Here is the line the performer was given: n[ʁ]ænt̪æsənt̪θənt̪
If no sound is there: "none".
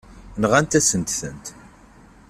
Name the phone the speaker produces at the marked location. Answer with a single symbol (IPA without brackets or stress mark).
ʁ